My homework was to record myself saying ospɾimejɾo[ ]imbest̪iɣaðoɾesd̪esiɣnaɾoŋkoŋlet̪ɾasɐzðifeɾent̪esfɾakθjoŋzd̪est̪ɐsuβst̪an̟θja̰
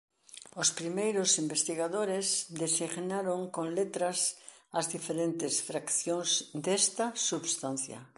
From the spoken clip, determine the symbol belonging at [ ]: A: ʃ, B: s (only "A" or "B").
B